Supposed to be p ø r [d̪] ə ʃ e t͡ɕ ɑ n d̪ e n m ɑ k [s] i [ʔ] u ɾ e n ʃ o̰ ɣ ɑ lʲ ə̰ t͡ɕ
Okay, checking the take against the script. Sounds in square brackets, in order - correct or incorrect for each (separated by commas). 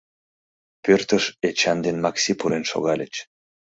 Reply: incorrect, correct, incorrect